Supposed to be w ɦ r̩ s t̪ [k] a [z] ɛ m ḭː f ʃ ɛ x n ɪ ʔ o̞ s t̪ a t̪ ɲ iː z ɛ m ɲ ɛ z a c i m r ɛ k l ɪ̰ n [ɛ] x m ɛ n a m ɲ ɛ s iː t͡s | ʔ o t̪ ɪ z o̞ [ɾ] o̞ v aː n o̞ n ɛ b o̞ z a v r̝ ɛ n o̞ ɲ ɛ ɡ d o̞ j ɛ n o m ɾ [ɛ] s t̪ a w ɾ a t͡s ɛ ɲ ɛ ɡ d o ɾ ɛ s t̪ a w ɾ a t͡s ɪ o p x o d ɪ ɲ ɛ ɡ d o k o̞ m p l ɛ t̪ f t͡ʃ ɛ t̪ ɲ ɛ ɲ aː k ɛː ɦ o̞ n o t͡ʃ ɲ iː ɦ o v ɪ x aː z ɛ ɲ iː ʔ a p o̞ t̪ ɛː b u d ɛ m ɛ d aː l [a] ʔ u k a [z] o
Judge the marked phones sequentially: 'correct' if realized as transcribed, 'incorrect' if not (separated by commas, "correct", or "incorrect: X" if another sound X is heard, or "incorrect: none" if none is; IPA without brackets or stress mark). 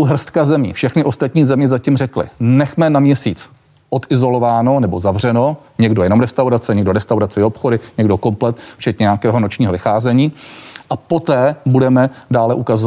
correct, correct, correct, incorrect: l, correct, incorrect: ɛ, correct